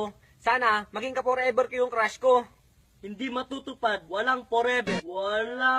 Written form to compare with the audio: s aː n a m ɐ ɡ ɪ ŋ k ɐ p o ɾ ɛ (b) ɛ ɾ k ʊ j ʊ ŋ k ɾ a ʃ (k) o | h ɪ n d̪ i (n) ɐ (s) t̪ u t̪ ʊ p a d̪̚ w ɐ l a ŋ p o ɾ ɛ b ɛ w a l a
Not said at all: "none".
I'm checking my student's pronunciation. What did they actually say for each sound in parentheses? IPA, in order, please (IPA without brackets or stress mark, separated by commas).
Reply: b, k, m, none